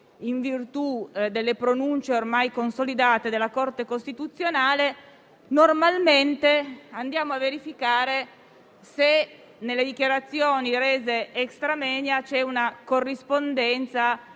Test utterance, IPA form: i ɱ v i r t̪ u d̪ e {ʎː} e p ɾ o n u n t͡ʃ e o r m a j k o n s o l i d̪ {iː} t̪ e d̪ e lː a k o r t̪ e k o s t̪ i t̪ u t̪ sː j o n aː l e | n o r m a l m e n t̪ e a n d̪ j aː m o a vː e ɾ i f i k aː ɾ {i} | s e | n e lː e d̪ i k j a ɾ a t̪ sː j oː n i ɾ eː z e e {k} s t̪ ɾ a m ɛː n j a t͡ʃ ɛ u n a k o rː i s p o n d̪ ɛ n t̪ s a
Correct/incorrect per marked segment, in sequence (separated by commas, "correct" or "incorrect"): incorrect, incorrect, incorrect, correct